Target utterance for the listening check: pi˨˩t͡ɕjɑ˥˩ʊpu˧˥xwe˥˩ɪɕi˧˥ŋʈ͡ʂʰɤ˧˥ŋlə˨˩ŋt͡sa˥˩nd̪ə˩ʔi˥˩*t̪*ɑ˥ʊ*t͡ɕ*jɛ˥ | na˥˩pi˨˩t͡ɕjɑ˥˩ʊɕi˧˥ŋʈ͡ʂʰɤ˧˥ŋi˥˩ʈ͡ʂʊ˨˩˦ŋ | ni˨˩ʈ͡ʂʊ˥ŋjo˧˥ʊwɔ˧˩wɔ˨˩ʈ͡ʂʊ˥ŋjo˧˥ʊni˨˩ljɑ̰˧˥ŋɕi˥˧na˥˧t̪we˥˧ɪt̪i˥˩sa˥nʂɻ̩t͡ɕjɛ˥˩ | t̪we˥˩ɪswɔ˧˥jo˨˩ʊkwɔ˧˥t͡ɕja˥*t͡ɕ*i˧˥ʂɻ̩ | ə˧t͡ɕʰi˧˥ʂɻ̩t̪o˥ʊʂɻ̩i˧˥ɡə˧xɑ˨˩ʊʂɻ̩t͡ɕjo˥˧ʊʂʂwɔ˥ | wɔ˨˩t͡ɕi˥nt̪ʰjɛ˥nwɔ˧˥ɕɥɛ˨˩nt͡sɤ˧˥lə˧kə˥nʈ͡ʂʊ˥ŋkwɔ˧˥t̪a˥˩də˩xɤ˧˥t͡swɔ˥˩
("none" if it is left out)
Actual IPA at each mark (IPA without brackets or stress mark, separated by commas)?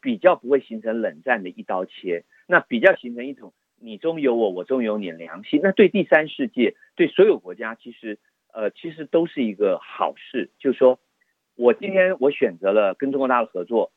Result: t̪, t͡ɕʰ, t͡ɕʰ